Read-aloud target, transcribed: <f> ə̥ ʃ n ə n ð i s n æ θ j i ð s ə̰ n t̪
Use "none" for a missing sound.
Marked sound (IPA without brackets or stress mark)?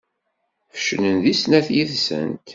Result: f